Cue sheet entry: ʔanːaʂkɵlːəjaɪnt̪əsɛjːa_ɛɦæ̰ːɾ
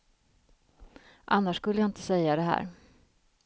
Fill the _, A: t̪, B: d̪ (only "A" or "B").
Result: B